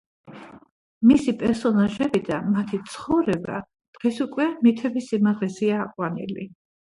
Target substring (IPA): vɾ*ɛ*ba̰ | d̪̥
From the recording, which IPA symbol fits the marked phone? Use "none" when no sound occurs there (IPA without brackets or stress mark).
ɛ